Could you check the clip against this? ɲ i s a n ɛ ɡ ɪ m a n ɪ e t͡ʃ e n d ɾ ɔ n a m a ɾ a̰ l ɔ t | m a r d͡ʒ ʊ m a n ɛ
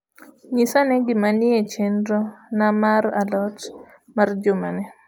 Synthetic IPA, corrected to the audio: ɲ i s a n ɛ ɡ ɪ m a n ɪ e t͡ʃ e n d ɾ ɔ n a m a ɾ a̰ l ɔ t | m a r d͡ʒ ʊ m a n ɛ

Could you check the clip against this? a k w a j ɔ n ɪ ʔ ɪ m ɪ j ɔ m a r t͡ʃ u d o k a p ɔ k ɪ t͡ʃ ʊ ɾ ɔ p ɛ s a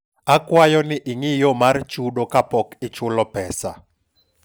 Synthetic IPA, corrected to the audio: a k w a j ɔ n ɪ ʔ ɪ ŋ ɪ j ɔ m a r t͡ʃ u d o k a p ɔ k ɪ t͡ʃ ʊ l ɔ p ɛ s a

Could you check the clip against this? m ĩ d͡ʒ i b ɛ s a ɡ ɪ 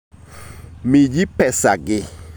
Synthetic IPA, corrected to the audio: m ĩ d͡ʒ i p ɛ s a ɡ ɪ

